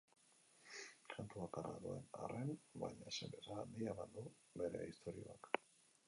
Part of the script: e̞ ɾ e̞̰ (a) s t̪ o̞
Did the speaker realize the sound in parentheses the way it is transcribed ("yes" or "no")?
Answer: no